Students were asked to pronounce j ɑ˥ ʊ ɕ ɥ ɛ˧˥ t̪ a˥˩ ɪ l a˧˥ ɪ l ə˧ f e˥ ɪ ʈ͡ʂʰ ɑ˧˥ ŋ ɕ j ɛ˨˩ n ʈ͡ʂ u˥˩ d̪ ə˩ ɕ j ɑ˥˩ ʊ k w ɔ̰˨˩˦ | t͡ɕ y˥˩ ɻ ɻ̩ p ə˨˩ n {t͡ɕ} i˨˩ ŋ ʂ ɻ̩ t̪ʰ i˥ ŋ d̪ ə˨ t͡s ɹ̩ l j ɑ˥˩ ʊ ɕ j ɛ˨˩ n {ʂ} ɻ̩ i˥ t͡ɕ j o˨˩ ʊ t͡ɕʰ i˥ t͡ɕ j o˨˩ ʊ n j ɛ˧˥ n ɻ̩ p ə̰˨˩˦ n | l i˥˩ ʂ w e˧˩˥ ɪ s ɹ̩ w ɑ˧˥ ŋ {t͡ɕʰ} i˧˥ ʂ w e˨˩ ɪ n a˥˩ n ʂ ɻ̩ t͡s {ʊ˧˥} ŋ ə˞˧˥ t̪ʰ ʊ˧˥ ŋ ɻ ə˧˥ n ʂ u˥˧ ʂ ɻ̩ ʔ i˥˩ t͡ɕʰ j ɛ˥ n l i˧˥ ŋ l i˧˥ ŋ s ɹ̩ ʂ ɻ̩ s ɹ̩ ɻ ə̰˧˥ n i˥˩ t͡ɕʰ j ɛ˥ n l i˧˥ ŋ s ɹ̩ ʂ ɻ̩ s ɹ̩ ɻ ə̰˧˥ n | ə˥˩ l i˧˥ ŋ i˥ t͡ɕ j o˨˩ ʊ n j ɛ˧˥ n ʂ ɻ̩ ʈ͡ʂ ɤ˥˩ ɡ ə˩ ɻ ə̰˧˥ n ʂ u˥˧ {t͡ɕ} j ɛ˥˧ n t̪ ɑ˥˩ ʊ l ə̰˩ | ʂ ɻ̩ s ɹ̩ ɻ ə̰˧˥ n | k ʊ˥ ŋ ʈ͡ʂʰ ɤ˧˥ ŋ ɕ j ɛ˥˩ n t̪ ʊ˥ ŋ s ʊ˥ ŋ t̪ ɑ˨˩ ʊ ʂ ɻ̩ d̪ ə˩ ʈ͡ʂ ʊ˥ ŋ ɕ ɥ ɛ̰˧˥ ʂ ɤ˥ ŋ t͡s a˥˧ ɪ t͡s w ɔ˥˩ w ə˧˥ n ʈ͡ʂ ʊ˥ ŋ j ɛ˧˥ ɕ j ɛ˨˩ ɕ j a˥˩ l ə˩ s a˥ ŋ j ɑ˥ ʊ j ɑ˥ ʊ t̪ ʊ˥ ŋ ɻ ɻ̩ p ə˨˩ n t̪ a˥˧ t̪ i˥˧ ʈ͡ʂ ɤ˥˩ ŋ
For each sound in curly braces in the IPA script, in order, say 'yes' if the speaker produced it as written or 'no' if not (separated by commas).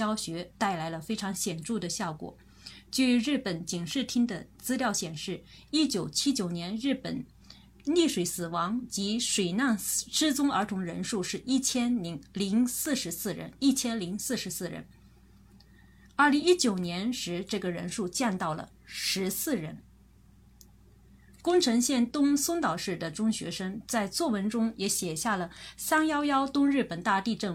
yes, yes, no, no, yes